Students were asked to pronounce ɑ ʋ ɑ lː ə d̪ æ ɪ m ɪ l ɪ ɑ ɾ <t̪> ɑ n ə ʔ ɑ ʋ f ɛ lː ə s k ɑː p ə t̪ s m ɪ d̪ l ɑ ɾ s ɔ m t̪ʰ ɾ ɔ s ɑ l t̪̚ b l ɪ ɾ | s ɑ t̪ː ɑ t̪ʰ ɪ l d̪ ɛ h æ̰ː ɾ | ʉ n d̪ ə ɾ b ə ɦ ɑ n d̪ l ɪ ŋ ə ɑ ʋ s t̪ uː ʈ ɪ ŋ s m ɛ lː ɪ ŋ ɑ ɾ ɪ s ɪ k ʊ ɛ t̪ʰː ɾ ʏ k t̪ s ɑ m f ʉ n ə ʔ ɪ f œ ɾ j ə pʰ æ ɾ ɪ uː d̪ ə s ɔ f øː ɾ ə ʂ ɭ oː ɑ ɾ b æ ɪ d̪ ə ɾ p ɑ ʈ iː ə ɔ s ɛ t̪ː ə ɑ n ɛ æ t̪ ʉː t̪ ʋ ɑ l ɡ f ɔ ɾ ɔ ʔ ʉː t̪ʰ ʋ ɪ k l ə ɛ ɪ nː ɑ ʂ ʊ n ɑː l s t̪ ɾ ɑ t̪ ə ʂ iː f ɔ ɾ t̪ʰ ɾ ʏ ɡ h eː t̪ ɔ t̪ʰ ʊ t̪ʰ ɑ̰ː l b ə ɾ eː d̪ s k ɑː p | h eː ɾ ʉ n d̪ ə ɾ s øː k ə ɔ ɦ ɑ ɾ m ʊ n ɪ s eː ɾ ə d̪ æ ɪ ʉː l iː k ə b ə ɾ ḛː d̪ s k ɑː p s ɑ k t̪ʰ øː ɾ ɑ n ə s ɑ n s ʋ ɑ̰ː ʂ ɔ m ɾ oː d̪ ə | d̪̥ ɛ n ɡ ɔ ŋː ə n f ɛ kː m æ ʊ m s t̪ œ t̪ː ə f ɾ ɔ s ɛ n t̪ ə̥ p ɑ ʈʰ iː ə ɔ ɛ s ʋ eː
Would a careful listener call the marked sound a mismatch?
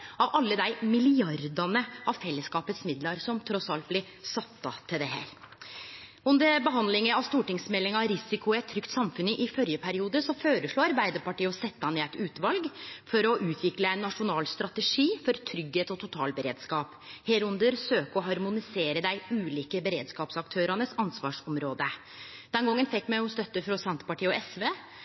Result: yes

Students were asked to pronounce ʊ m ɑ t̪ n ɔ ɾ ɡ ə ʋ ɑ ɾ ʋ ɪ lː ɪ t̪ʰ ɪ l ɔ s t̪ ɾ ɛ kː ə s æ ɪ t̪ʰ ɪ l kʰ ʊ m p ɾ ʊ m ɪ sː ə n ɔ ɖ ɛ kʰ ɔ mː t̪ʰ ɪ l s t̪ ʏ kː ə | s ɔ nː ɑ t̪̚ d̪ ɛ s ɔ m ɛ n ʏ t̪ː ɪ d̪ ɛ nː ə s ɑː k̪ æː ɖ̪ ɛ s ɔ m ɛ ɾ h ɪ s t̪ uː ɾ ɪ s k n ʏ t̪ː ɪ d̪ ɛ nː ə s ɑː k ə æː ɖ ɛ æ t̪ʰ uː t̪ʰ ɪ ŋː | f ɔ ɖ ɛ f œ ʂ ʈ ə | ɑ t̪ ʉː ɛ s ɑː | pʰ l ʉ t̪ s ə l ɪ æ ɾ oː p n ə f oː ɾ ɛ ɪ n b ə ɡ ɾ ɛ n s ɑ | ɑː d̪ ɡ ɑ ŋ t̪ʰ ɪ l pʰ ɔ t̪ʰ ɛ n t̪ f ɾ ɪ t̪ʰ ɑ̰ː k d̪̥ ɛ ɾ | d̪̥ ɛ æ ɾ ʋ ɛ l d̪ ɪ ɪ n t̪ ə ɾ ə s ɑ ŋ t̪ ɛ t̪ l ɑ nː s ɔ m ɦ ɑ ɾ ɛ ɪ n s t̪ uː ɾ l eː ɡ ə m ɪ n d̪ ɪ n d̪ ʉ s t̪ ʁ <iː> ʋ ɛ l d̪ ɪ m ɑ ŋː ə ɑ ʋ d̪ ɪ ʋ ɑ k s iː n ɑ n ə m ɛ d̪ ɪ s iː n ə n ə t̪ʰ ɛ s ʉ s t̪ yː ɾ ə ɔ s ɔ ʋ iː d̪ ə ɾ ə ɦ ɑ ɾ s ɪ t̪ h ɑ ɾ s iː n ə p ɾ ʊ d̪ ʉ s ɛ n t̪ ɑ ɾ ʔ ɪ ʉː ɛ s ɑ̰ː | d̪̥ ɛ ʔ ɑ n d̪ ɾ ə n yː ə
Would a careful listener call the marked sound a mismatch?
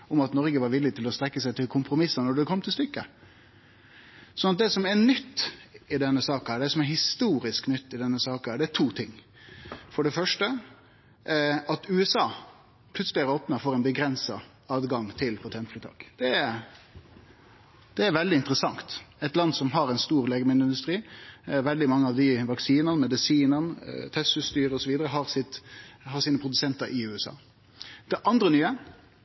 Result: no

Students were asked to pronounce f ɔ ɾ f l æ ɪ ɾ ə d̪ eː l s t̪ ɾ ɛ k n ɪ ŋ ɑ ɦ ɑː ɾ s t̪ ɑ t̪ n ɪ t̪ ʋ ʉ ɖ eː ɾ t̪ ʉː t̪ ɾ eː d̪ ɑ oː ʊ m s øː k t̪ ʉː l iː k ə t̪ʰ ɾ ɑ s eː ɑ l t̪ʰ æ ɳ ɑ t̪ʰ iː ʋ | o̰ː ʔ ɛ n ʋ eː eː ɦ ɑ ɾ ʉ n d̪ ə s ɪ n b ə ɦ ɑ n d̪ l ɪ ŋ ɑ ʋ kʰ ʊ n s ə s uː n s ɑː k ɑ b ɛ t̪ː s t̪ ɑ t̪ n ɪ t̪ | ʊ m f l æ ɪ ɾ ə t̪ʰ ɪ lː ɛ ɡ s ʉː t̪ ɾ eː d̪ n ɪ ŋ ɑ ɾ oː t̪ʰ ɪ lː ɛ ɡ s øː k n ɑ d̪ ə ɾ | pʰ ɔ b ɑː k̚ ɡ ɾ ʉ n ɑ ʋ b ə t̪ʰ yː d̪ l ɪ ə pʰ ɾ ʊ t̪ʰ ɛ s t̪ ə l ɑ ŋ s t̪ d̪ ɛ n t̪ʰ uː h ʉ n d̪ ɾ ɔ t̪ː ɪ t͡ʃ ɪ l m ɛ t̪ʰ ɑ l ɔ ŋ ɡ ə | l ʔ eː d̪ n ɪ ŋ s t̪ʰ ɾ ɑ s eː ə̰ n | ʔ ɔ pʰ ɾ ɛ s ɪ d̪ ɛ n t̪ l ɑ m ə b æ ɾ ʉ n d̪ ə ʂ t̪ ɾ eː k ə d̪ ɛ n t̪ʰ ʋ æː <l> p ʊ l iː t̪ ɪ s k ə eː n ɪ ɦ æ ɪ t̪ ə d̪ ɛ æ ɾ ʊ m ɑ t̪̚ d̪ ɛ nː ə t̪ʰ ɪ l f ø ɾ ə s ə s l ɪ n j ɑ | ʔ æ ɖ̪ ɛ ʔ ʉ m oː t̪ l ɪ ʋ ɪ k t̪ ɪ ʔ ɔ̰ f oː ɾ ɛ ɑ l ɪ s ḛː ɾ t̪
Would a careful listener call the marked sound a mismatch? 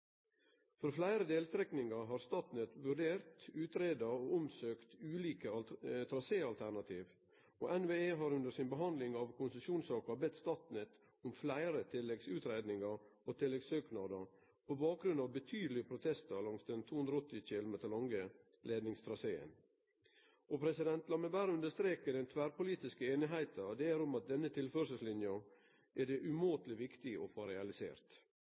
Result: yes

